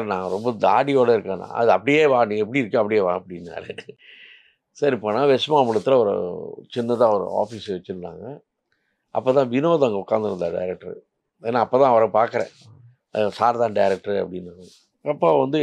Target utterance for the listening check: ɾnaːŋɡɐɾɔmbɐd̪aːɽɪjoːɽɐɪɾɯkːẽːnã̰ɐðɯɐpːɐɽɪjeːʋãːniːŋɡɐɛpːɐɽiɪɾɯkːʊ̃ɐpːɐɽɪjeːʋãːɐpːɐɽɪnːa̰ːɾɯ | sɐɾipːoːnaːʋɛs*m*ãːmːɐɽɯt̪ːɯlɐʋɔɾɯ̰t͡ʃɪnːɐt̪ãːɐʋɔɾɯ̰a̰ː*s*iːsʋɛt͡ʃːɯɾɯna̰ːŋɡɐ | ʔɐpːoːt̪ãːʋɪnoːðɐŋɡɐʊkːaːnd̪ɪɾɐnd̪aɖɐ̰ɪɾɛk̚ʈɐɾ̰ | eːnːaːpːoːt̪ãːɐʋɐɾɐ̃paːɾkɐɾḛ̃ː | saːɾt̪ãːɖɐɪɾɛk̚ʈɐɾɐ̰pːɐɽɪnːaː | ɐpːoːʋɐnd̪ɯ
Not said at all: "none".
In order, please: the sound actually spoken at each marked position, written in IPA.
m, f

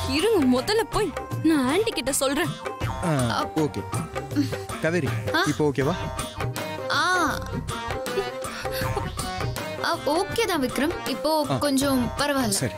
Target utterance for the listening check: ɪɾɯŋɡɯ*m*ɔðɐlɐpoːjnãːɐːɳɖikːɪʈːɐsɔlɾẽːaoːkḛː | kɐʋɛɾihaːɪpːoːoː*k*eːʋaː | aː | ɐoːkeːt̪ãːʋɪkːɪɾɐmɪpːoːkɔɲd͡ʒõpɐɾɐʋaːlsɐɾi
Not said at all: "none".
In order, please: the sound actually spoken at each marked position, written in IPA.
m, k

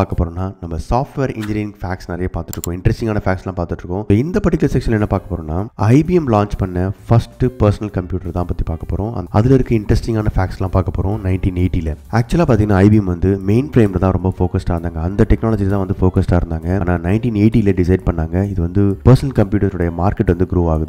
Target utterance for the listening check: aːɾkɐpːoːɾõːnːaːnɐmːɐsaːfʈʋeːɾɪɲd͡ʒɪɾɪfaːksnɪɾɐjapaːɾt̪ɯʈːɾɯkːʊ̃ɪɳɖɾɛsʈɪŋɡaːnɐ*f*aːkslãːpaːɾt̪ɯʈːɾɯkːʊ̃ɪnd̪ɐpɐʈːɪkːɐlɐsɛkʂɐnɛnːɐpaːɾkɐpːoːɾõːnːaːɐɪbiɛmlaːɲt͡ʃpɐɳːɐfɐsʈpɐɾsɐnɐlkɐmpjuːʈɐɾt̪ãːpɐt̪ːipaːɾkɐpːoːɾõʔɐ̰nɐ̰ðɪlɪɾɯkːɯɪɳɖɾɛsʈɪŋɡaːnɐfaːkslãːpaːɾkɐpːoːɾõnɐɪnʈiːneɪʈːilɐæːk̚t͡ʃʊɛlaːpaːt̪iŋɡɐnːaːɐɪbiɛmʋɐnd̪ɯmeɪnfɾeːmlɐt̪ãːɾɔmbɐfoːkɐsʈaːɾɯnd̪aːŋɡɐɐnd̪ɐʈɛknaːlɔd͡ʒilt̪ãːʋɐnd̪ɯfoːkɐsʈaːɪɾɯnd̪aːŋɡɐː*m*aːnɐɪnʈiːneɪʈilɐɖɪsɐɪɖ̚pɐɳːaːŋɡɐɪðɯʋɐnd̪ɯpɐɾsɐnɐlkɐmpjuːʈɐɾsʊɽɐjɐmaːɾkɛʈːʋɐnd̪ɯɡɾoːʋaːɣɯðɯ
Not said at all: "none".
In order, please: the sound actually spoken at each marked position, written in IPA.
f, n

